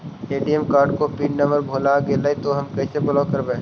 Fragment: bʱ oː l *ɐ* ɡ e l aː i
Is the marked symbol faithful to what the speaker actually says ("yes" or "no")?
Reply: no